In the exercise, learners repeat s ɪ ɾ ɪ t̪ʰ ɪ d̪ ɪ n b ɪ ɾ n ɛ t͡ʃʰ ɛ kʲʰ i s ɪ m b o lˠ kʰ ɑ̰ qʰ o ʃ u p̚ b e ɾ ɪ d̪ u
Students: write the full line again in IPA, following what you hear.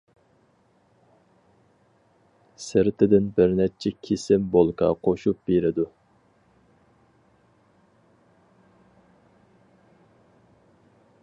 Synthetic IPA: s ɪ ɾ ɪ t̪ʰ ɪ d̪ ɪ n b ɪ ɾ n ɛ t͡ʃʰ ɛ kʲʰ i s ɪ m b o lˠ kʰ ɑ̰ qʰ o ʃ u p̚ b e ɾ ɪ d̪ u